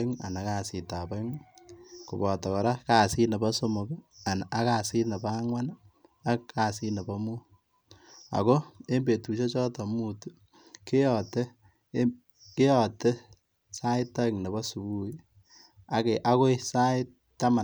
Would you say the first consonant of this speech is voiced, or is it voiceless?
voiced